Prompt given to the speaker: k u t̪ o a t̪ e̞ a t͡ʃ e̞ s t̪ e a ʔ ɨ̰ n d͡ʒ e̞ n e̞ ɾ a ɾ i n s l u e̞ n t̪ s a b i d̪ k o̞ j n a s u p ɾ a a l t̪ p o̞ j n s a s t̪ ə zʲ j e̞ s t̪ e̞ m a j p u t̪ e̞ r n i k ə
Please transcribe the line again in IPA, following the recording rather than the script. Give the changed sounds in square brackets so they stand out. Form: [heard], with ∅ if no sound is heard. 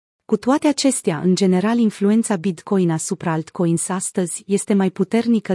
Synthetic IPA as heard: k u t̪ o a t̪ e̞ a t͡ʃ e̞ s t̪ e a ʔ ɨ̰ n d͡ʒ e̞ n e̞ ɾ a [l] i n [f] l u e̞ n t̪ s a b i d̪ k o̞ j n a s u p ɾ a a l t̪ [k] o̞ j n s a s t̪ ə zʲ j e̞ s t̪ e̞ m a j p u t̪ e̞ r n i k ə